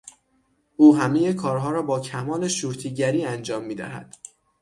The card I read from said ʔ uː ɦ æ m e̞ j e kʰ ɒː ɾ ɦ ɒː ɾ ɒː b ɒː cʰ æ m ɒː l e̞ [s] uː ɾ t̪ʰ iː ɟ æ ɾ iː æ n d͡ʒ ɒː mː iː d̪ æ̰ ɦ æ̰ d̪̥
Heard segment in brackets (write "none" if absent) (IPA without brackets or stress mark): ʃ